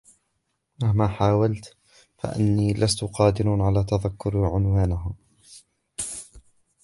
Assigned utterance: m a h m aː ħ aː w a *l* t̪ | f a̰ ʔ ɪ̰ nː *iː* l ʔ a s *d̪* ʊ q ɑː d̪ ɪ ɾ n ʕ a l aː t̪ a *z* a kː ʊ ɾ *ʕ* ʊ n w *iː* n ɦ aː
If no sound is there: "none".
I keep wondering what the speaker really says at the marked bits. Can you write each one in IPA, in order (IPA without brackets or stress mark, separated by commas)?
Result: l, iː, t̪, ð, ʕ, aː